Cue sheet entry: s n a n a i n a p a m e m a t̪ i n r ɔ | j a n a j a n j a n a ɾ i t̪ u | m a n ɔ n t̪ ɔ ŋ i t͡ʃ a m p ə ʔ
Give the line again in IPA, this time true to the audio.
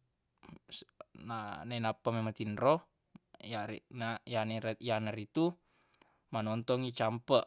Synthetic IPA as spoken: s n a n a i n a p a m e m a t̪ i n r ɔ | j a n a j a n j a n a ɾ i t̪ u | m a n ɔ n t̪ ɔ ŋ i t͡ʃ a m p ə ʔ